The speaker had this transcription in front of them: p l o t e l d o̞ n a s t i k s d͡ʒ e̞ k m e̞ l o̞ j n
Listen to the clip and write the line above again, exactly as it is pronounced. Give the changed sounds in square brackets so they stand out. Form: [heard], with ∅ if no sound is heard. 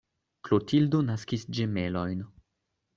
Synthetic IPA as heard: [k] l o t [i] l d o̞ n a s [k] i [∅] s d͡ʒ e̞ [∅] m e̞ l o̞ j n